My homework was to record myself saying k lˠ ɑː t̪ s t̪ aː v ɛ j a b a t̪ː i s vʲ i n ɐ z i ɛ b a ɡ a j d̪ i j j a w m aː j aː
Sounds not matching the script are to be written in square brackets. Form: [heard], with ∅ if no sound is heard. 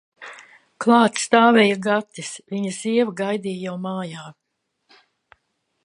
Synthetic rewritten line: k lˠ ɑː t̪ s t̪ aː v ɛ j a [ɡ] a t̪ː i s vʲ i [ɲ] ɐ z i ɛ [v] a ɡ a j d̪ i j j a w m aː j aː